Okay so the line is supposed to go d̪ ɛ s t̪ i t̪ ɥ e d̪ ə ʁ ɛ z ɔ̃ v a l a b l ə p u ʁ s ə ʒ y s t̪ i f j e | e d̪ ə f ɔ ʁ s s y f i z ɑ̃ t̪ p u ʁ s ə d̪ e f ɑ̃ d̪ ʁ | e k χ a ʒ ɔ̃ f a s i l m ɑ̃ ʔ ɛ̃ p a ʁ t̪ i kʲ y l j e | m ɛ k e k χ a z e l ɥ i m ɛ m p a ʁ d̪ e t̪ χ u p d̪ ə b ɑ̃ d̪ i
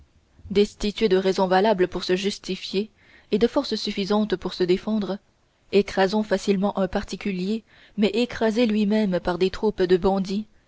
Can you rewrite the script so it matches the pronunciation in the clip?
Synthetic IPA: d̪ ɛ s t̪ i t̪ ɥ e d̪ ə ʁ ɛ z ɔ̃ v a l a b l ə p u ʁ s ə ʒ y s t̪ i f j e | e d̪ ə f ɔ ʁ s s y f i z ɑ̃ t̪ p u ʁ s ə d̪ e f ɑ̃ d̪ ʁ | e k χ a z ɔ̃ f a s i l m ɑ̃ ʔ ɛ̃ p a ʁ t̪ i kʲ y l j e | m ɛ ʔ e k χ a z e l ɥ i m ɛ m p a ʁ d̪ e t̪ χ u p d̪ ə b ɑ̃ d̪ i